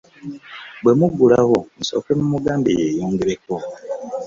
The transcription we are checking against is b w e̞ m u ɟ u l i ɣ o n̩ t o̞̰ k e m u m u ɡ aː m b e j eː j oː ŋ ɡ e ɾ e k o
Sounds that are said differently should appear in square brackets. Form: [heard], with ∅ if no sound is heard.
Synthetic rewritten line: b w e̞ m u [ɡ] u l [a] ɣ o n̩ [s] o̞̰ k e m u m u ɡ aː m b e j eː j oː ŋ ɡ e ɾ e k o